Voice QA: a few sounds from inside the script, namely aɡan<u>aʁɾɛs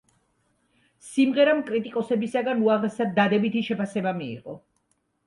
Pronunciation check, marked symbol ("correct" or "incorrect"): correct